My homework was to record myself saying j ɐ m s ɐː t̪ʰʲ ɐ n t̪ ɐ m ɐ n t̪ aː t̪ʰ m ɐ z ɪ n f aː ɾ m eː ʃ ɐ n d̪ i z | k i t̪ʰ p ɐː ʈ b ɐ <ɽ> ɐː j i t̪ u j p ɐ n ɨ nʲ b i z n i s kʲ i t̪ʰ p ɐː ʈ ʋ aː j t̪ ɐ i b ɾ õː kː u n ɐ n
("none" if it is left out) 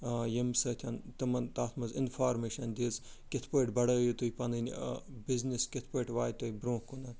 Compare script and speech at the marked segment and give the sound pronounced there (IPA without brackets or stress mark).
ɽ